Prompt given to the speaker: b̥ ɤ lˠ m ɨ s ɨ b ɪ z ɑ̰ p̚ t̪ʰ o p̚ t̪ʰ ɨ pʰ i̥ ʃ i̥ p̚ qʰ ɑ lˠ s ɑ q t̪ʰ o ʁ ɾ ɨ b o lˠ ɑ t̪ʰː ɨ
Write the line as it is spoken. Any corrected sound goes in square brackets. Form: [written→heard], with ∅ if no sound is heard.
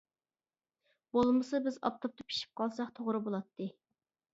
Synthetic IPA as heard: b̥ [ɤ→o] lˠ m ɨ s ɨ b ɪ z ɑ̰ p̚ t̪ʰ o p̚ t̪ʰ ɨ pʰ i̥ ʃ i̥ p̚ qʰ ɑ lˠ s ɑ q t̪ʰ o ʁ ɾ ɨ b o lˠ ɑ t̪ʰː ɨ

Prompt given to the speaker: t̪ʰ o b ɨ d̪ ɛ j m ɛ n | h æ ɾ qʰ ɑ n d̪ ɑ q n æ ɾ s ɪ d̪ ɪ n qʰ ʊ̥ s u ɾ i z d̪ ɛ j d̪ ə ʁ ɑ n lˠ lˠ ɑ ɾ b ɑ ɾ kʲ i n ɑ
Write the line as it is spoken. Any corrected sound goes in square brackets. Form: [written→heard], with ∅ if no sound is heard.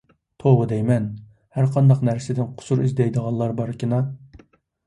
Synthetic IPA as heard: t̪ʰ o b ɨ d̪ ɛ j m ɛ n | h æ ɾ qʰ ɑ n d̪ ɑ q n æ ɾ s ɪ d̪ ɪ n qʰ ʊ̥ s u ɾ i z d̪ ɛ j d̪ ə ʁ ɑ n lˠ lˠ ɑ ɾ b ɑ ɾ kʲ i n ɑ

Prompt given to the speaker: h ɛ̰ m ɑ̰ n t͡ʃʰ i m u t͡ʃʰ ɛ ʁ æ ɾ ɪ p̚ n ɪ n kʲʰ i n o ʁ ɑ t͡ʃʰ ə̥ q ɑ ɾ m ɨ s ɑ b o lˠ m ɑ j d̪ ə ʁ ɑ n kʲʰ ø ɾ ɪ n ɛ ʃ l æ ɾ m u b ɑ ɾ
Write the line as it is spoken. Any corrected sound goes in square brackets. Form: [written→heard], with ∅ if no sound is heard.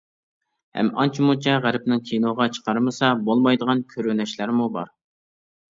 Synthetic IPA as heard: h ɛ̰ m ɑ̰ n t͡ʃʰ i m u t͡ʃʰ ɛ ʁ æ ɾ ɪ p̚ n ɪ [n→ŋ] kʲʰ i n o ʁ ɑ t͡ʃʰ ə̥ q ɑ ɾ m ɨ s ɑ b o lˠ m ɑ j d̪ ə ʁ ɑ n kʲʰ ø ɾ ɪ n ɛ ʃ l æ ɾ m u b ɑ ɾ

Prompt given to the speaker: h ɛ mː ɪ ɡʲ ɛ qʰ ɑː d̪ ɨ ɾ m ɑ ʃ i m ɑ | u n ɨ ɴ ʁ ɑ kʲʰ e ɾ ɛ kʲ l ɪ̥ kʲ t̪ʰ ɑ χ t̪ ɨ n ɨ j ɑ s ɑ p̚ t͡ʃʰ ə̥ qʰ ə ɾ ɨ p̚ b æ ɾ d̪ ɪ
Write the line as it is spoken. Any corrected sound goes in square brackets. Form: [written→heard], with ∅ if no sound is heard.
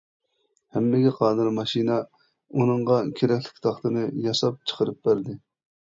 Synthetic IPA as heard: h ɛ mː ɪ ɡʲ ɛ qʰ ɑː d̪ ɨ ɾ m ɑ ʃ i [m→n] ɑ | u n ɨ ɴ ʁ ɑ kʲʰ e ɾ ɛ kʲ l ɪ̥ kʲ t̪ʰ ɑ χ t̪ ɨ n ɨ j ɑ s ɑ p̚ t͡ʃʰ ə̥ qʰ ə ɾ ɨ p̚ b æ ɾ d̪ ɪ

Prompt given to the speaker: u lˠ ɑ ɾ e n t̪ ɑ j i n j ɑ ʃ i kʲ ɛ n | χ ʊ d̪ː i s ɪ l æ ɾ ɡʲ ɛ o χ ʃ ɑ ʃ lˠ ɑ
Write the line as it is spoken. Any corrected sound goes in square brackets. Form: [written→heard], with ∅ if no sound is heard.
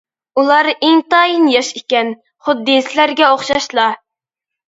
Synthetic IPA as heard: u lˠ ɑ ɾ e [n→ŋ] t̪ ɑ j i n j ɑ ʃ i kʲ ɛ n | χ ʊ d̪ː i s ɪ l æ ɾ ɡʲ ɛ o χ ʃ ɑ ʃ lˠ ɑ

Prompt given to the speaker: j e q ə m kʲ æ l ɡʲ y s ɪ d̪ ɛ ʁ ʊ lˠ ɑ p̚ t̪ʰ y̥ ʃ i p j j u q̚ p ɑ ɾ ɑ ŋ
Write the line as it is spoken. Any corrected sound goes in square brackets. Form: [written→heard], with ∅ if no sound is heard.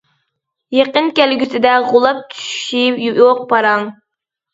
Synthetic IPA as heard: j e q ə [m→n] kʲ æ l ɡʲ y s ɪ d̪ ɛ ʁ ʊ lˠ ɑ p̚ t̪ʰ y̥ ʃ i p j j [u→o] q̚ p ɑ ɾ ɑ ŋ

